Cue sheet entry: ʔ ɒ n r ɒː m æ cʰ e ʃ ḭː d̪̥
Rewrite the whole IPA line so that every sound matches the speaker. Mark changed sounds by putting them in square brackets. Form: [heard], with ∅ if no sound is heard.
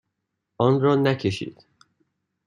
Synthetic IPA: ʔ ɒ n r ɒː [n] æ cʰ e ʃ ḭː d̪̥